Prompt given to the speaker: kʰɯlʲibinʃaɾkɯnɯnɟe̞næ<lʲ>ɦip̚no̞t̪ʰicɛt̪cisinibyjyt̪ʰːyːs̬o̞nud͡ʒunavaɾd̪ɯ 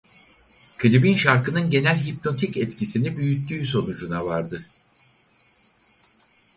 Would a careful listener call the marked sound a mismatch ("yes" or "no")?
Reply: no